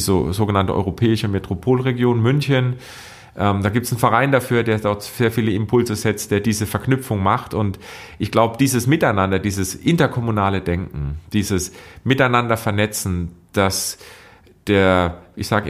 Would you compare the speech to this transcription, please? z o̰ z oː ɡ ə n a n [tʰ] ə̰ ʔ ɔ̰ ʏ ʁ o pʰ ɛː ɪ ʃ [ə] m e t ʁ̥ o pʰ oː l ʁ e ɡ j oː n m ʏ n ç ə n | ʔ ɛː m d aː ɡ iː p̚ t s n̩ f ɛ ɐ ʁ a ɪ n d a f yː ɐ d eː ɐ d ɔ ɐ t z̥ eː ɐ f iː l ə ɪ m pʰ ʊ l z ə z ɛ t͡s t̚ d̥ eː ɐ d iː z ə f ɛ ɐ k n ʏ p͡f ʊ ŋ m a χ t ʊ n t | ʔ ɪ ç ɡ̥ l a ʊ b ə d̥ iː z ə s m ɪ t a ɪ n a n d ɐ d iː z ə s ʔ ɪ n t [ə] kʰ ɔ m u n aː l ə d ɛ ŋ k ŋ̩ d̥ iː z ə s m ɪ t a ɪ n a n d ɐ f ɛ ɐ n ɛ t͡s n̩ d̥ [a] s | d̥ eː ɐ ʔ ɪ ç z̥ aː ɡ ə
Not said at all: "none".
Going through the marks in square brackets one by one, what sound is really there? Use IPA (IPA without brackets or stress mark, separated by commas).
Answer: t, ə, ɐ, a